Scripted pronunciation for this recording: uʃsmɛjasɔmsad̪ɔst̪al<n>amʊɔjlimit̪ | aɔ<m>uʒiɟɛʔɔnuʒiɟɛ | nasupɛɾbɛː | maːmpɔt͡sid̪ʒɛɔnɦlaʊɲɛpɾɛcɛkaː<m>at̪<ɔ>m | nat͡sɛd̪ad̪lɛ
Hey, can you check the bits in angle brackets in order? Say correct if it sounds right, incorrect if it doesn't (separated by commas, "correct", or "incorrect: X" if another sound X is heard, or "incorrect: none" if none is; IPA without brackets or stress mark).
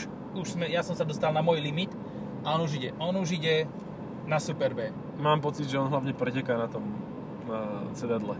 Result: correct, incorrect: n, incorrect: n, correct